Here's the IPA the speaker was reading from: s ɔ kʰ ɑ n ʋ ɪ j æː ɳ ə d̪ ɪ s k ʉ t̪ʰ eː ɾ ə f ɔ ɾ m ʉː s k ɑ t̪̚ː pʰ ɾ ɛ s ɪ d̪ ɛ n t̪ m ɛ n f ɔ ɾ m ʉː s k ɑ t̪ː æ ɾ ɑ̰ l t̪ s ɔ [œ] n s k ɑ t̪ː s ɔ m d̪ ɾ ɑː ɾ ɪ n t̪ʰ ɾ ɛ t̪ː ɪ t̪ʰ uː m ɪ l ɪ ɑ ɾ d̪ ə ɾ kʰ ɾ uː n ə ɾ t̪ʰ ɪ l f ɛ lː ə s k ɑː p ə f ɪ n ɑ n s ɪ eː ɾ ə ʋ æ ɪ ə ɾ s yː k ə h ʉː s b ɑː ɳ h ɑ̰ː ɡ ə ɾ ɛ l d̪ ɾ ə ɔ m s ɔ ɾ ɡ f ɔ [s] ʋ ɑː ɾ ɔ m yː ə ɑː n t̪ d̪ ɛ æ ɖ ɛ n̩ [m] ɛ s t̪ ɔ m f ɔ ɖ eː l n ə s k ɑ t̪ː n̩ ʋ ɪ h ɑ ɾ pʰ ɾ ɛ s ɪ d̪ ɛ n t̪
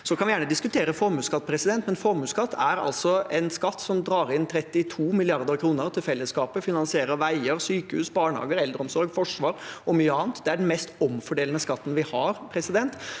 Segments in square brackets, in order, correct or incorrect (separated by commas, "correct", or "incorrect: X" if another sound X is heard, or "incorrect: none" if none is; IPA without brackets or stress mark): incorrect: ɛ, incorrect: ʂ, correct